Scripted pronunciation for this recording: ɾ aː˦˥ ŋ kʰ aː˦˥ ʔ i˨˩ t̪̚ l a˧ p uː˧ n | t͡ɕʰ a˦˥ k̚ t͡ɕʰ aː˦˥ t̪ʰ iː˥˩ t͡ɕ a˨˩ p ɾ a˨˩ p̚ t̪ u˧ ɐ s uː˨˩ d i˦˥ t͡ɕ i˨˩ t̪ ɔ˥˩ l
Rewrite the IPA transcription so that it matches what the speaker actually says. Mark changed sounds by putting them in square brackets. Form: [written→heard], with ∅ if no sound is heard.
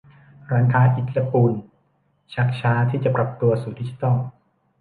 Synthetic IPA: ɾ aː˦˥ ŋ kʰ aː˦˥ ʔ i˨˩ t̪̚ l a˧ p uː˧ n | t͡ɕʰ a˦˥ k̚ t͡ɕʰ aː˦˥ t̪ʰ iː˥˩ t͡ɕ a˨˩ p ɾ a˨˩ p̚ t̪ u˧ ɐ s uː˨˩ d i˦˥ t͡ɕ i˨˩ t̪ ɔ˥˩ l

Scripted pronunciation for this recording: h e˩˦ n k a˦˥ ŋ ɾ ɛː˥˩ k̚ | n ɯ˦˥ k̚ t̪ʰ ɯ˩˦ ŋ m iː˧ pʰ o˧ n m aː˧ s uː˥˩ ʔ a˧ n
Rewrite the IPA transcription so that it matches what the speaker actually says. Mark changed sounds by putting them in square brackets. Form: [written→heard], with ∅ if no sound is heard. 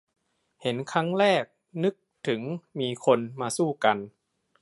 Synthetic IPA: h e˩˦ n [k→kʰ] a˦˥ ŋ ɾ ɛː˥˩ k̚ | n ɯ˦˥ k̚ t̪ʰ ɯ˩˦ ŋ m iː˧ [pʰ→kʰ] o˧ n m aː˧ s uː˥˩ [ʔ→k] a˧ n

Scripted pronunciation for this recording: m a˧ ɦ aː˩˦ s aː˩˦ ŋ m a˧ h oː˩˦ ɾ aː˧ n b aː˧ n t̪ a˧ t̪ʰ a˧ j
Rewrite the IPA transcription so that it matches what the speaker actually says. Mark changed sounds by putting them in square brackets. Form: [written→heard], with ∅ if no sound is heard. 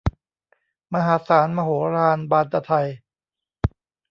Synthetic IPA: m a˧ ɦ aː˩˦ s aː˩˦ [ŋ→n] m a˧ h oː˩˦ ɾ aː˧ n b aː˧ n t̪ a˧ t̪ʰ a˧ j

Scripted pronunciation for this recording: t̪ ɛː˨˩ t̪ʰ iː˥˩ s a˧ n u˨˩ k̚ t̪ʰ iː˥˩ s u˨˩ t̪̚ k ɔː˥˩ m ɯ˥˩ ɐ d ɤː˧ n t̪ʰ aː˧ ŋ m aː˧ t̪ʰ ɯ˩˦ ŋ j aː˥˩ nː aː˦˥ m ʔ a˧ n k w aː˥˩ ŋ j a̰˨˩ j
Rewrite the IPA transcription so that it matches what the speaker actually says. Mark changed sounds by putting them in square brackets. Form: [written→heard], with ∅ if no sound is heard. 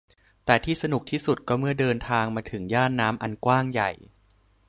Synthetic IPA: t̪ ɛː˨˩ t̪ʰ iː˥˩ s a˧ n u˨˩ k̚ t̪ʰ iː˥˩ s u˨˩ t̪̚ k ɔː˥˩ m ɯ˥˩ ɐ d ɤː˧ n t̪ʰ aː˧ ŋ m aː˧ t̪ʰ ɯ˩˦ ŋ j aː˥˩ nː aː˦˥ m ʔ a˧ n k w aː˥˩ ŋ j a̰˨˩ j

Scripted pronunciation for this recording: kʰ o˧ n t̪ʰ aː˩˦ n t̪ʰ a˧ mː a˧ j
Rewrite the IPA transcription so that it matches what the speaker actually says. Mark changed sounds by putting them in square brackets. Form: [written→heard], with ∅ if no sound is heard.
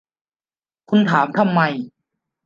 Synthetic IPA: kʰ [o˧→u˧] n t̪ʰ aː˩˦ [n→m] t̪ʰ a˧ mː a˧ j

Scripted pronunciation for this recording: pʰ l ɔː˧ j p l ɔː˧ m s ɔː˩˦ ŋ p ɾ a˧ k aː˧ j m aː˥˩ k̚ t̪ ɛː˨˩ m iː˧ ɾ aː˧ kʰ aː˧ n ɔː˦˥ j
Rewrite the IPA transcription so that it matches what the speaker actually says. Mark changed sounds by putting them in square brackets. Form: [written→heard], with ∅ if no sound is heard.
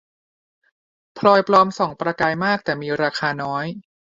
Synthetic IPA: pʰ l ɔː˧ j p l ɔː˧ m s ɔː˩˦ ŋ p ɾ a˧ k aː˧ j m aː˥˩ k̚ t̪ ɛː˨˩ m iː˧ ɾ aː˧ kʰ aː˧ n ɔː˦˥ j

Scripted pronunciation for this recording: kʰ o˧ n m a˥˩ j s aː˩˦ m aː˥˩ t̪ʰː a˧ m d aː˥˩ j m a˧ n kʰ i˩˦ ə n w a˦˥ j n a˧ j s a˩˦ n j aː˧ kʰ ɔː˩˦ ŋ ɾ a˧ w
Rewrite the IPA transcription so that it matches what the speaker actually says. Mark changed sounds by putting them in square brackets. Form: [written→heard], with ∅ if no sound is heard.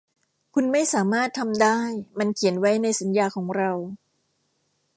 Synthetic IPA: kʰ [o˧→u˧] n m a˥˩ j s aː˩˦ m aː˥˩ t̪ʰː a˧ m d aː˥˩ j m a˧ n kʰ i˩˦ ə n w a˦˥ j n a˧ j s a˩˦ n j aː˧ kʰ ɔː˩˦ ŋ ɾ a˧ w

